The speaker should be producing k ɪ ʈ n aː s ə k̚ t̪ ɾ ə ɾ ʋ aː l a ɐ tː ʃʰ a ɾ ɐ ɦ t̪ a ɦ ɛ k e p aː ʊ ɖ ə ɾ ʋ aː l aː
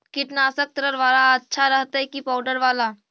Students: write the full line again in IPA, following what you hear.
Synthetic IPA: k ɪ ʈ n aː s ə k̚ t̪ ɾ ə ɾ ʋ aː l a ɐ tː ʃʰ a ɾ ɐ ɦ t̪ a ɦ ɛ k i p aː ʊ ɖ ə ɾ ʋ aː l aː